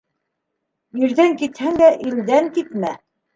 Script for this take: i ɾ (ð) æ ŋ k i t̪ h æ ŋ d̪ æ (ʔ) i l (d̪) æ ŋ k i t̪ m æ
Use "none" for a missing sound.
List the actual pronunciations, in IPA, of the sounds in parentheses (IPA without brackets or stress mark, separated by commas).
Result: ð, ʔ, d̪